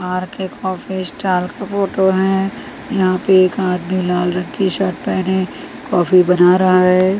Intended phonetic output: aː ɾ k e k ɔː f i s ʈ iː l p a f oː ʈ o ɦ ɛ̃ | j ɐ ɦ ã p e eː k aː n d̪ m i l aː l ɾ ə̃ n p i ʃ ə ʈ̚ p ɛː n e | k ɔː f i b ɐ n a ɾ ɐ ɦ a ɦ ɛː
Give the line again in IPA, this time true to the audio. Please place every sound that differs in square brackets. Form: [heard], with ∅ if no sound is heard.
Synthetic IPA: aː ɾ k e k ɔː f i s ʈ [aː] l [k] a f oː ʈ o ɦ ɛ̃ | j ɐ ɦ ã p e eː k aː [∅] d̪ m i l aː l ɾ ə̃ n [k] i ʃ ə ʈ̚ p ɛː n e | k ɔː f i b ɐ n a ɾ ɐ ɦ a ɦ ɛː